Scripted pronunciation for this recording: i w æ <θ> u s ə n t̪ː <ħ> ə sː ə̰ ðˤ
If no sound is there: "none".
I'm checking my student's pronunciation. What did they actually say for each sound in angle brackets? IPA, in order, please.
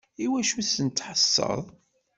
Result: ʃ, ħ

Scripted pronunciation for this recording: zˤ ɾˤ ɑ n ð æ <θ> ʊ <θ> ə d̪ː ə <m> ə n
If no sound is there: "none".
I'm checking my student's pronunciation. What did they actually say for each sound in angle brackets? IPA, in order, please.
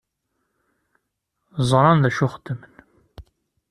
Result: ʃ, χ, m

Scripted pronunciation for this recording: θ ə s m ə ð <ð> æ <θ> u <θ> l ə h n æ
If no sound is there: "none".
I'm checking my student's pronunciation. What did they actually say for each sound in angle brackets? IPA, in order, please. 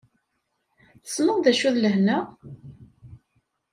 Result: ð, ʃ, ð

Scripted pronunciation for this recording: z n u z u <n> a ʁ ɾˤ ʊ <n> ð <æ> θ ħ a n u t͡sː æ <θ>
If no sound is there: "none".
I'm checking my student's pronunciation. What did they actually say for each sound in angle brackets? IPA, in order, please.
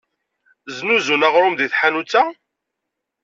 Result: n, m, i, none

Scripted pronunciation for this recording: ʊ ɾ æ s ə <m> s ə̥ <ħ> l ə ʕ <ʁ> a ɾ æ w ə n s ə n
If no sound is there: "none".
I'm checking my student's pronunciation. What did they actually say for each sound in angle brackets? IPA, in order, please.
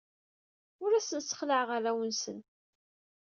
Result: n, χ, ʁ

